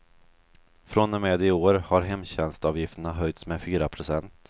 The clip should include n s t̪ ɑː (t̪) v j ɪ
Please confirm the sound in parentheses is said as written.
no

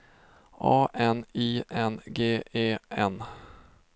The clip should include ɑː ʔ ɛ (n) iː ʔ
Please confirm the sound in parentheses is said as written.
yes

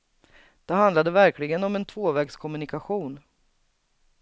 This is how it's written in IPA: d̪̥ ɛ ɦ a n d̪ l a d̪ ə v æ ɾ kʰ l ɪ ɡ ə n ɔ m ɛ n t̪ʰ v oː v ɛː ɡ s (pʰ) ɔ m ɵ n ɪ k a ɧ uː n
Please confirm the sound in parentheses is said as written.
no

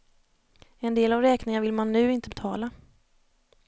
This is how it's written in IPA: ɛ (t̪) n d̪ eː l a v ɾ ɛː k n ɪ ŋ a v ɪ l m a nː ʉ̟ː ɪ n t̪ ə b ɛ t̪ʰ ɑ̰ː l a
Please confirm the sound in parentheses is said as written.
no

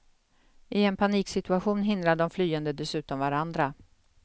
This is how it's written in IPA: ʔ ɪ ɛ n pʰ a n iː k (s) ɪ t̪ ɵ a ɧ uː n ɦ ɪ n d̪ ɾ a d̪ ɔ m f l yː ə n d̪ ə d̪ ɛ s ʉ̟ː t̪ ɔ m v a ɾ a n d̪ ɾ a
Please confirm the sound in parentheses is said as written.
yes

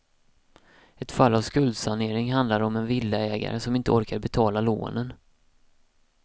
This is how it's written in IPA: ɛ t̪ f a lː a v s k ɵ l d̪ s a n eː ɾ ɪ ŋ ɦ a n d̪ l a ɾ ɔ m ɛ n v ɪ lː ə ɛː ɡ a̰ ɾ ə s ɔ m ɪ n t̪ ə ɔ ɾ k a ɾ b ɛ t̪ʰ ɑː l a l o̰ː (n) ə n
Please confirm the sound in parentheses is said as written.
yes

